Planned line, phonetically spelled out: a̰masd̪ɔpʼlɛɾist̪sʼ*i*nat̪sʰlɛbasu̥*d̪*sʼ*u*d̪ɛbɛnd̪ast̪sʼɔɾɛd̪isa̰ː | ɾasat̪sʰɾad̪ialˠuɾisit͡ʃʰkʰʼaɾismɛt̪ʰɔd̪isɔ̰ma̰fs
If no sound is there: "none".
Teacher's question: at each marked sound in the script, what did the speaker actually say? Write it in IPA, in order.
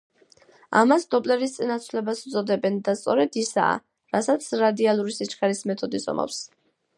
i, t̪, ɔ

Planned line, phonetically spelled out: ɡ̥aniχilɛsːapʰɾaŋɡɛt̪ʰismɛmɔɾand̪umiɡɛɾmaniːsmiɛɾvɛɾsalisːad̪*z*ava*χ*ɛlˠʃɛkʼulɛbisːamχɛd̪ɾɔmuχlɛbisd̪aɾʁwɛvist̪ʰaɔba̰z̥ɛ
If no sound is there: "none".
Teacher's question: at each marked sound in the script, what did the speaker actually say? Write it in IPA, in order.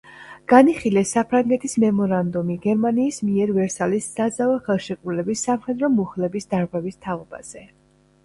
z, χ

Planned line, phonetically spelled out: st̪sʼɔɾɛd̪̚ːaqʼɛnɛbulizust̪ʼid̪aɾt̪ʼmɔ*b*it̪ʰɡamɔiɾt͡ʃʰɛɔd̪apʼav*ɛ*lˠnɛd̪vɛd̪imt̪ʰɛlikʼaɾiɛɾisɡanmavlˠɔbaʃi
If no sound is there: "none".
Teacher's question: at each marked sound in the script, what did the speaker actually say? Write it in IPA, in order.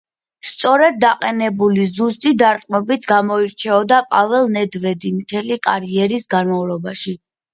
b, ɛ

